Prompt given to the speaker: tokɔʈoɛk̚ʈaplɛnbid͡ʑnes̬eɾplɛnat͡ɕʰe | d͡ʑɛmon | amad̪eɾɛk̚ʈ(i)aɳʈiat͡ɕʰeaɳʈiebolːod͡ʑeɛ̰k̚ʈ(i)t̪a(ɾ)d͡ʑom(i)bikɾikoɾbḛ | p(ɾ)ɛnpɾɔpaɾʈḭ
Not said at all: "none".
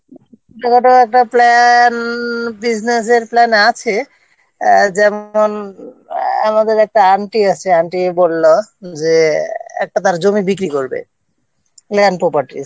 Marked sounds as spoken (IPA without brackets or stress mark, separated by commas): a, a, ɾ, i, l